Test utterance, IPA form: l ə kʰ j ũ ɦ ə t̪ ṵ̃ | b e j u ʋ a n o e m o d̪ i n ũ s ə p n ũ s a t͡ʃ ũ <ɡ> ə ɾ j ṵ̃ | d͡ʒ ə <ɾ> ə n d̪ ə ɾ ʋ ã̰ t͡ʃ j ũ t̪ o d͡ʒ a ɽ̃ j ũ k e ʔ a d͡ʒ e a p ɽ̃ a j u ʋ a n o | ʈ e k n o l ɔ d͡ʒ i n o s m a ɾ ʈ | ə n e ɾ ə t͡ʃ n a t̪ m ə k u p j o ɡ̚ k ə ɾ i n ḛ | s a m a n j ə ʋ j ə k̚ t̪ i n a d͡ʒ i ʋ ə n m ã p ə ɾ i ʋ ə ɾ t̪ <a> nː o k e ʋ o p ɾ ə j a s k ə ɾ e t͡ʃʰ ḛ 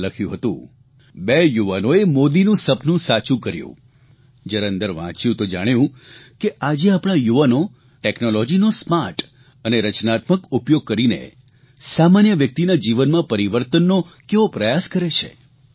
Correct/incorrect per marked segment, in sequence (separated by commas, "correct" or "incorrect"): incorrect, correct, incorrect